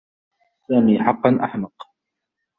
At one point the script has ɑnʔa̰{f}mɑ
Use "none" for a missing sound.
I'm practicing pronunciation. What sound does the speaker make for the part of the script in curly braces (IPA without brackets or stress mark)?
ħ